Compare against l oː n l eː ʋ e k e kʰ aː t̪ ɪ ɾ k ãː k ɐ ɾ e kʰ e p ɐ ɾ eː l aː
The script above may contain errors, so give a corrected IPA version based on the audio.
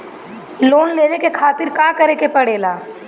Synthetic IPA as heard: l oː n l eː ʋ e k e kʰ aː t̪ ɪ ɾ k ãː k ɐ ɾ e k e p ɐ ɽ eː l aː

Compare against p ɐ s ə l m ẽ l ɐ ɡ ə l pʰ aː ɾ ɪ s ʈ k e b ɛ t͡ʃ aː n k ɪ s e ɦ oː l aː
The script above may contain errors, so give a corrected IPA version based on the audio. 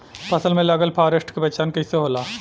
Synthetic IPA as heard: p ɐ s ə l m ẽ l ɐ ɡ ə l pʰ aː ɾ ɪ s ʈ k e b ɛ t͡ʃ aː n k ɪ s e ɦ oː l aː

